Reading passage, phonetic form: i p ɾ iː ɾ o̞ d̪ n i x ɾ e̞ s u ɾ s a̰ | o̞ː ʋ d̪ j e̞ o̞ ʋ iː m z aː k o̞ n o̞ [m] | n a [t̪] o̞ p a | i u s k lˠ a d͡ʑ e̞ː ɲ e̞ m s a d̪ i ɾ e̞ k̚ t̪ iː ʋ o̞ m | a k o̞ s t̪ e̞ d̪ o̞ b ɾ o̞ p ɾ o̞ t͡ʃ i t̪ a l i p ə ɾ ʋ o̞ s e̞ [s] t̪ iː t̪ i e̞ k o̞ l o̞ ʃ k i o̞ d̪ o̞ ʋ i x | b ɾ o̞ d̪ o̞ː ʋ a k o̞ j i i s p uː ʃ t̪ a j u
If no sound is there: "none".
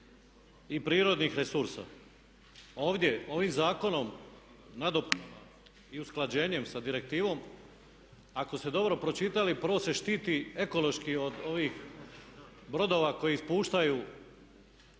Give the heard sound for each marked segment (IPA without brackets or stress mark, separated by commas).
m, d̪, ʃ